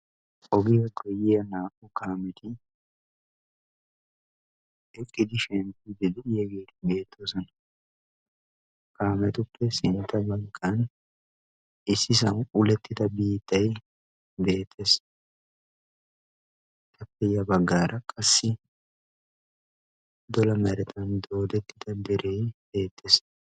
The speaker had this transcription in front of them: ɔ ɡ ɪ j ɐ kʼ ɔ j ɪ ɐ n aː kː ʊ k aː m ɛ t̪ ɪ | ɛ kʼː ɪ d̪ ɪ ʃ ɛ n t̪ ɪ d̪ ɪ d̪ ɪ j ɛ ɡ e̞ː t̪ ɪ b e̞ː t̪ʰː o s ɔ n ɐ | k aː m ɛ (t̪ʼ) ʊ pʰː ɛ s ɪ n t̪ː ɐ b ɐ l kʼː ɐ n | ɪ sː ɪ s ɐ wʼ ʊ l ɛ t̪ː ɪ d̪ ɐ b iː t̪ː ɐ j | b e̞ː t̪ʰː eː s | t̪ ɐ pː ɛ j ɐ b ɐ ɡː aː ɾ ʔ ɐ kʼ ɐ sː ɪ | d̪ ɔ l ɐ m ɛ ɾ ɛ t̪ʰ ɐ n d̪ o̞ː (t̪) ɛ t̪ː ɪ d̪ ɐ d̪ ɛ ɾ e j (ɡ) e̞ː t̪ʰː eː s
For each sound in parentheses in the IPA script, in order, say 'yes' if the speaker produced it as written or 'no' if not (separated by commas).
no, no, no